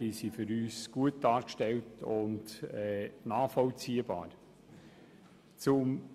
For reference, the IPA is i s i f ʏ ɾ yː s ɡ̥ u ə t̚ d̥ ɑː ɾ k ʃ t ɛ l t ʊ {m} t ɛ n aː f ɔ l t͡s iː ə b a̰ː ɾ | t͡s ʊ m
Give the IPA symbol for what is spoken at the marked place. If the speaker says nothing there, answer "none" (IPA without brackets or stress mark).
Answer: n